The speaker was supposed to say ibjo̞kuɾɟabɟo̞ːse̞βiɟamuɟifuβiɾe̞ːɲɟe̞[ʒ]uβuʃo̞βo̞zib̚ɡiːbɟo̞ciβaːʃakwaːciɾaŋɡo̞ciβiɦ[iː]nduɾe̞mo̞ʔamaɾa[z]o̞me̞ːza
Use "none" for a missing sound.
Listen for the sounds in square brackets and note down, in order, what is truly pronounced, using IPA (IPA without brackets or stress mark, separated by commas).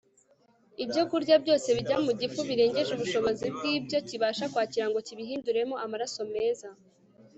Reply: ʒ, iː, s